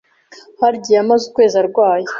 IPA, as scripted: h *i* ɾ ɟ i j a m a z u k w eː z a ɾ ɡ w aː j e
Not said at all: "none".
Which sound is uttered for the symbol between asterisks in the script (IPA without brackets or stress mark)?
a